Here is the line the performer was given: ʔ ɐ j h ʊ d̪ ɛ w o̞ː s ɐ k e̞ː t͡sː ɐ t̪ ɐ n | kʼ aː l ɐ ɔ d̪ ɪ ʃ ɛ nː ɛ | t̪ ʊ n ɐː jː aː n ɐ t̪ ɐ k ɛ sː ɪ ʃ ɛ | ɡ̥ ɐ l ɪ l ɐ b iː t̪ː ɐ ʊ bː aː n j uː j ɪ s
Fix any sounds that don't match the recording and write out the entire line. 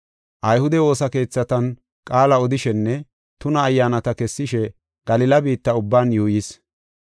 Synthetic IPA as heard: ʔ ɐ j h ʊ d̪ ɛ w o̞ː s ɐ k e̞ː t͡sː ɐ t̪ ɐ n | kʼ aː l ɐ ɔ d̪ ɪ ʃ ɛ nː ɛ | t̪ ʊ n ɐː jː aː n ɐ t̪ ɐ k ɛ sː ɪ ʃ ɛ | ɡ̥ ɐ l ɪ l ɐ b iː t̪ː ɐ ʊ bː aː n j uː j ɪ s